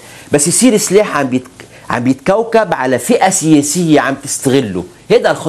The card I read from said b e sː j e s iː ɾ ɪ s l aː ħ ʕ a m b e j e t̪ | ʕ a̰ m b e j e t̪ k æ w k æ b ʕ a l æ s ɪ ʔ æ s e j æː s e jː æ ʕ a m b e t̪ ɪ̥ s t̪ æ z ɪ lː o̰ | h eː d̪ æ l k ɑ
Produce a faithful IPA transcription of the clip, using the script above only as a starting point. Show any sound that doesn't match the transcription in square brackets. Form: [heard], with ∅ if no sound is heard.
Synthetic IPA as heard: b [æ] sː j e s iː ɾ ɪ s l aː ħ ʕ a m b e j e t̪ | ʕ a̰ m b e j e t̪ k æ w k æ b ʕ a l æ [f] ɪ ʔ æ s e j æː s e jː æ ʕ a m b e t̪ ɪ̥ s t̪ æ [ɣ] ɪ lː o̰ | h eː d̪ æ l [x] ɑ